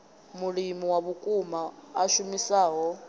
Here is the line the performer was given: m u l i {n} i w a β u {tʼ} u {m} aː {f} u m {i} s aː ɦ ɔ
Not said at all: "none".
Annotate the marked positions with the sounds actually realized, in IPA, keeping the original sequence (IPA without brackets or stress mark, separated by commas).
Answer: m, kʼ, m, ʃ, i